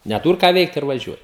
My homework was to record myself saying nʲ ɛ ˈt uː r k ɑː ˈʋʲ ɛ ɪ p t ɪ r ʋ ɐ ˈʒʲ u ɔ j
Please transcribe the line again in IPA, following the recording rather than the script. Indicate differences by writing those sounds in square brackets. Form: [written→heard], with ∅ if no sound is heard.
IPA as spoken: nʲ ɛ ˈt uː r k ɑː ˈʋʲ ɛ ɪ [p→k] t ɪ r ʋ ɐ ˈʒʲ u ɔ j

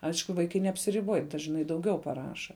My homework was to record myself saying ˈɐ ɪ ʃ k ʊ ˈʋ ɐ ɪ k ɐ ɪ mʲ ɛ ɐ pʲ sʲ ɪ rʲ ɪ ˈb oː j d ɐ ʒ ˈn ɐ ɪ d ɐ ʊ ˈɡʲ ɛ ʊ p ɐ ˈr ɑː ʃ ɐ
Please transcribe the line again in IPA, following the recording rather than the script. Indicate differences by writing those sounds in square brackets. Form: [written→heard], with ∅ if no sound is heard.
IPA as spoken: ˈɐ ɪ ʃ k ʊ ˈʋ ɐ ɪ k ɐ ɪ [mʲ→nʲ] ɛ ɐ pʲ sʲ ɪ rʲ ɪ ˈb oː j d ɐ ʒ ˈn ɐ ɪ d ɐ ʊ ˈɡʲ ɛ ʊ p ɐ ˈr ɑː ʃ ɐ

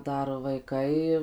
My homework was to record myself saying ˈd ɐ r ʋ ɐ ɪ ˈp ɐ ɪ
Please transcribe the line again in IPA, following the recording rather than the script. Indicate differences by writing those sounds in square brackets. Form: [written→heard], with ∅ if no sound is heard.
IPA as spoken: ˈd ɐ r ʋ ɐ ɪ [ˈp→ˈk] ɐ ɪ

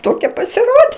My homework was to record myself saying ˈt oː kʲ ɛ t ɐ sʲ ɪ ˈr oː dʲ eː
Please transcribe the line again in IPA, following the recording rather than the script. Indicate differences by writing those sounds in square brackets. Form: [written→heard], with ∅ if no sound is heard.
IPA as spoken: ˈt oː kʲ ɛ [t→p] ɐ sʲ ɪ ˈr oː dʲ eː

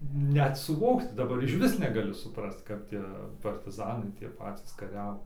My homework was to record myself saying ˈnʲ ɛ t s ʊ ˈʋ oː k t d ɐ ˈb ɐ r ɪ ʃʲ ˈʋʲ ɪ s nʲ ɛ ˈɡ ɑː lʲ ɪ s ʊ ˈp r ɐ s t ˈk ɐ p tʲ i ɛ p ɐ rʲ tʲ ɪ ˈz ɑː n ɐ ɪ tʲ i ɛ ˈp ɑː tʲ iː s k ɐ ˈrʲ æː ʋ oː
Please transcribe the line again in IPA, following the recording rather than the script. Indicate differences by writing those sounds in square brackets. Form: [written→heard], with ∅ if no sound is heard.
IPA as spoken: ˈnʲ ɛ t s ʊ ˈʋ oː k t d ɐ ˈb ɐ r ɪ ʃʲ ˈʋʲ ɪ s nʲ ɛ ˈɡ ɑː lʲ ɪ s ʊ ˈp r ɐ s t ˈk ɐ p tʲ i ɛ p ɐ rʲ tʲ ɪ ˈz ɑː n ɐ ɪ tʲ i ɛ ˈp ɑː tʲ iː s k ɐ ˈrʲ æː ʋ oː

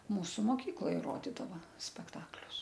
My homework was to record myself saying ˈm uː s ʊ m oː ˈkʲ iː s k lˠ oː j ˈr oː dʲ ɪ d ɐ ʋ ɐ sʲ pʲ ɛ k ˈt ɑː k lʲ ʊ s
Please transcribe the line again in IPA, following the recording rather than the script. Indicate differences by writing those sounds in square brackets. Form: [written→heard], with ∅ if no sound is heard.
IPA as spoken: ˈm uː s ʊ m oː ˈkʲ iː [s→∅] k lˠ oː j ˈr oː dʲ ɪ d ɐ ʋ ɐ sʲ pʲ ɛ k ˈt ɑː k lʲ ʊ s

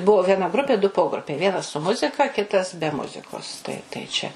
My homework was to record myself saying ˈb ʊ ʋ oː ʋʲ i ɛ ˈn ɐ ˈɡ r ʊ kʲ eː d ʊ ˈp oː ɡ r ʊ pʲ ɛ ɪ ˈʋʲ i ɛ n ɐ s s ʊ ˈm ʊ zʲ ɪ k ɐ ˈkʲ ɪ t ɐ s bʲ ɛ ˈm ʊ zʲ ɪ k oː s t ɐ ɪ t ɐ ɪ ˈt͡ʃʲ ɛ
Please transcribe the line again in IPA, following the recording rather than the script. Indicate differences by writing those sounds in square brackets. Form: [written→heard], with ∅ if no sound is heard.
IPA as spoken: ˈb ʊ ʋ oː ʋʲ i ɛ ˈn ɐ ˈɡ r ʊ [kʲ→pʲ] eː d ʊ ˈp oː ɡ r ʊ pʲ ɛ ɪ ˈʋʲ i ɛ n ɐ s s ʊ ˈm ʊ zʲ ɪ k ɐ ˈkʲ ɪ t ɐ s bʲ ɛ ˈm ʊ zʲ ɪ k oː s t ɐ ɪ t ɐ ɪ ˈt͡ʃʲ ɛ

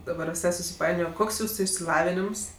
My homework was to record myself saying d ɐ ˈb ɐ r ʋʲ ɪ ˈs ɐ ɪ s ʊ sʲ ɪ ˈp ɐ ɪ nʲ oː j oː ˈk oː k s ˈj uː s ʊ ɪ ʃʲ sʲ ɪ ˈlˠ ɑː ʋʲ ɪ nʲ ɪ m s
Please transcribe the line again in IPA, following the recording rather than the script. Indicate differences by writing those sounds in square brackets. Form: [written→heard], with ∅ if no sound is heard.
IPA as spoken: d ɐ ˈb ɐ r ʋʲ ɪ ˈs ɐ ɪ s ʊ sʲ ɪ ˈp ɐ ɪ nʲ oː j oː ˈk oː k s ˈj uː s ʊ ɪ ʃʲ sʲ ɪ ˈlˠ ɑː ʋʲ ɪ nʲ ɪ m s

